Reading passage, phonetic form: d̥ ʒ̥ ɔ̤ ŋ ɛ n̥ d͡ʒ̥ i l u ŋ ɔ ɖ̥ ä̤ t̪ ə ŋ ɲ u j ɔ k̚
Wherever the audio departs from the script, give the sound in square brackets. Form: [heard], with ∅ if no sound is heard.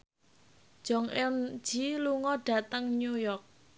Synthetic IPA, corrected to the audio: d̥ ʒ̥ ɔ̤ ŋ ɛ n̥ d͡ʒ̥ i l u ŋ ɔ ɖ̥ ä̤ t̪ ə ŋ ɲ u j ɔ k̚